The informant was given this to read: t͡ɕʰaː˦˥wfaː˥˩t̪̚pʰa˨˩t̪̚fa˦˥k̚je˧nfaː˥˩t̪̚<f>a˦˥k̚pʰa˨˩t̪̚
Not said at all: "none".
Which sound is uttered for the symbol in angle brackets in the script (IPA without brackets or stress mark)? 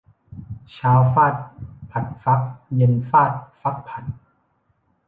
f